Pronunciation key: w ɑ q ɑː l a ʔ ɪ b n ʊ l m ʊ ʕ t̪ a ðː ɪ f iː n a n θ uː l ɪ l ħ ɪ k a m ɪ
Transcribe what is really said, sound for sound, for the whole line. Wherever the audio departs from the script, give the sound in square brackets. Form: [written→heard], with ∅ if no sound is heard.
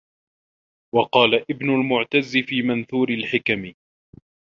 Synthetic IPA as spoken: w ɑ q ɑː l a ʔ ɪ b n ʊ l m ʊ ʕ t̪ a [ðː→zː] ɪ f iː [n→m] a n θ uː [l→ɾ] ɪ l ħ ɪ k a m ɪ